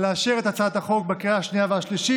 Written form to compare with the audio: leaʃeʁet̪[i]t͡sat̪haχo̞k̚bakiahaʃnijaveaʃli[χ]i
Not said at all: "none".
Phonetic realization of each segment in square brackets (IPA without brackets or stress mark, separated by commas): a, ʃ